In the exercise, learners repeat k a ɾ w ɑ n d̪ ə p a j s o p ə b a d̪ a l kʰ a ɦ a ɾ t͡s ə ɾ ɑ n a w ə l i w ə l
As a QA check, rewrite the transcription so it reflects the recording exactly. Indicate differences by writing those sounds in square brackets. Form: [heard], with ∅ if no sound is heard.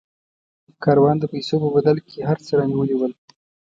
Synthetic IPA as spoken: k [ɑ] ɾ w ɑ n d̪ ə p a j s o p ə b a d̪ a l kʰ [e] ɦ a ɾ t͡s ə ɾ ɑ n [i] w ə l i w ə l